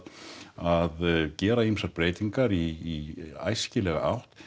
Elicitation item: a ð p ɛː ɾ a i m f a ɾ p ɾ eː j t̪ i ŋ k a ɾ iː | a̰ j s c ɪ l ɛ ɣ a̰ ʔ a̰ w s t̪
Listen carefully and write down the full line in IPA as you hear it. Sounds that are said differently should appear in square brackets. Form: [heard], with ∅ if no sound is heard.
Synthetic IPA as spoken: a ð [c] ɛː ɾ a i m [s] a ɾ p ɾ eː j t̪ i ŋ k a ɾ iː | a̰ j s c ɪ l ɛ ɣ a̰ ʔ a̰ w [h] t̪